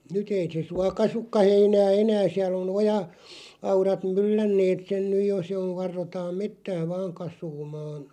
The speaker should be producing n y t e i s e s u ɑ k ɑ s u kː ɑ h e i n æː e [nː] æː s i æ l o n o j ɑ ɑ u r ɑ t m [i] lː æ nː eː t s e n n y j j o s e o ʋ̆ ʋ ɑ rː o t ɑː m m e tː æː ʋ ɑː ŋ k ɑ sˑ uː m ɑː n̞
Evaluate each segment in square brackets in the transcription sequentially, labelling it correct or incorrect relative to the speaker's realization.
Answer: incorrect: n, incorrect: y

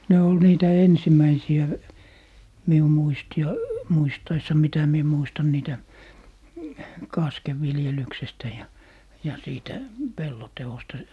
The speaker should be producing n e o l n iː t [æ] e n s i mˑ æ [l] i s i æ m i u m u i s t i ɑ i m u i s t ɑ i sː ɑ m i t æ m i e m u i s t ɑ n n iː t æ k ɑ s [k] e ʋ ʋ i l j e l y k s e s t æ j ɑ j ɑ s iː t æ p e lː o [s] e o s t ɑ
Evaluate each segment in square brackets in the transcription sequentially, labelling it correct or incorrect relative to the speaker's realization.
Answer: correct, incorrect: none, correct, incorrect: t

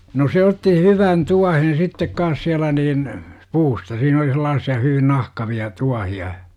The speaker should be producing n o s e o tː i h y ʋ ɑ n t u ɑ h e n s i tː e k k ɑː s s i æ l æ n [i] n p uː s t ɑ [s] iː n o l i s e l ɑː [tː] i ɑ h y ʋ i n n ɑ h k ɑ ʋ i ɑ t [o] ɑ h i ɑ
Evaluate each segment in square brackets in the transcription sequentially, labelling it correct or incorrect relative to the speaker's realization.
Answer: incorrect: iː, correct, incorrect: sː, incorrect: u

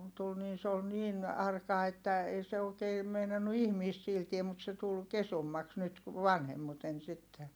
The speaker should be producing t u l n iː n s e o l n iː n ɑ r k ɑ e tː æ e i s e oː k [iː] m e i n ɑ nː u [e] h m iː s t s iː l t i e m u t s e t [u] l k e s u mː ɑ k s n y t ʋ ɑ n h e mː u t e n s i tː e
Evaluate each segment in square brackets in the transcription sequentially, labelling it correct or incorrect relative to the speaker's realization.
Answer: incorrect: eː, incorrect: i, correct

